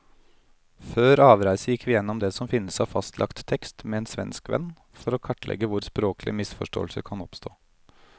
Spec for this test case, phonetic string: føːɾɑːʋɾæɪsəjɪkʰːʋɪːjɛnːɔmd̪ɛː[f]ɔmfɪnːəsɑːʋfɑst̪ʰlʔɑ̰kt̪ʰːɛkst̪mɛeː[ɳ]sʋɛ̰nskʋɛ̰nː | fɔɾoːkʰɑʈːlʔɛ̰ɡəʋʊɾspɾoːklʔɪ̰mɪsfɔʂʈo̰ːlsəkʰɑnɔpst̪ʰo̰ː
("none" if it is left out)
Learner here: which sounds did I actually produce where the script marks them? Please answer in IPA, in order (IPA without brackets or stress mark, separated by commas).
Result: s, n